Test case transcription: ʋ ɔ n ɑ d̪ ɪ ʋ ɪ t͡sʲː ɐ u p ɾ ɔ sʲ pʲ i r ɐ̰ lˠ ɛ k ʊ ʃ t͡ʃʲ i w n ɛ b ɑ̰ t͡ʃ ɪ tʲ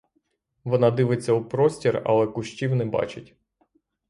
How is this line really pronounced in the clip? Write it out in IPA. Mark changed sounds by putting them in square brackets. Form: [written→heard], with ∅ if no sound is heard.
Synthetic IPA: ʋ ɔ n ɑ d̪ ɪ ʋ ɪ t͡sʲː ɐ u p ɾ ɔ sʲ [pʲ→tʲ] i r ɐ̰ lˠ ɛ k ʊ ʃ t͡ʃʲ i w n ɛ b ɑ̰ t͡ʃ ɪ tʲ